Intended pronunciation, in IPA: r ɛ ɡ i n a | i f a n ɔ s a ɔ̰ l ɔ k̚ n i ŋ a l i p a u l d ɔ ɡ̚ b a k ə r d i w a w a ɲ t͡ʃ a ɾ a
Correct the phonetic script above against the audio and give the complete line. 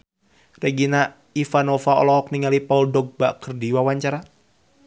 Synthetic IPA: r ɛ ɡ i n a | i f a n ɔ f a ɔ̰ l ɔ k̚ n i ŋ a l i p a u l d ɔ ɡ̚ b a k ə r d i w a w a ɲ t͡ʃ a ɾ a